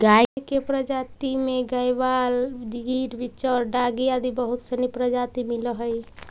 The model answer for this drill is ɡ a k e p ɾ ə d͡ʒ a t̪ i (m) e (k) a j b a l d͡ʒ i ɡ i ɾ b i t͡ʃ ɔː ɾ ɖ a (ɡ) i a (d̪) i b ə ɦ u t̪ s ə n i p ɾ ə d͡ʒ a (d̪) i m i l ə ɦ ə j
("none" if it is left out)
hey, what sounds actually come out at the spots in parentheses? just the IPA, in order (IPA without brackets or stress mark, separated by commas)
m, ɡ, ɡ, d̪, t̪